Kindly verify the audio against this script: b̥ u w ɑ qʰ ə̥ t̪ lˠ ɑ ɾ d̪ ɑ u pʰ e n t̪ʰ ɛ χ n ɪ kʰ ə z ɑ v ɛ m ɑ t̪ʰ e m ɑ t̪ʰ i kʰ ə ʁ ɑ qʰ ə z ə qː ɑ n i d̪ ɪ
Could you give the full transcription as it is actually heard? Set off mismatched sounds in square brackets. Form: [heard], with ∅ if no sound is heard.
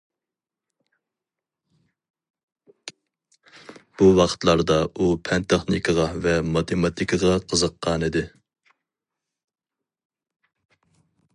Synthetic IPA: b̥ u w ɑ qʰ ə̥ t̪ lˠ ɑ ɾ d̪ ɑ u pʰ [ɛ] n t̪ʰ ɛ χ n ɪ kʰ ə [ʁ] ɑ v ɛ m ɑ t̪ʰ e m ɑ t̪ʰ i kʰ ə ʁ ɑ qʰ ə z ə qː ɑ n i d̪ ɪ